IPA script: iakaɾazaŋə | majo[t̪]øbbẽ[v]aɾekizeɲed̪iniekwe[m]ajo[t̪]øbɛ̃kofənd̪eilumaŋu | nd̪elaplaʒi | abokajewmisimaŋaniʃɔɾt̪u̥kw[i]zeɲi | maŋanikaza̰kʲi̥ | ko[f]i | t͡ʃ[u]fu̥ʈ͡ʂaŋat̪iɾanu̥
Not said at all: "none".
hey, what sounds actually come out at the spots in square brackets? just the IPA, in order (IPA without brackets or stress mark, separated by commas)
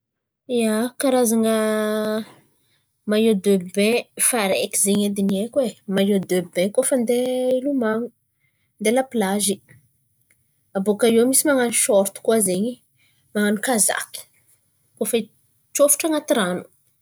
d̪, f, m, d̪, a, f, o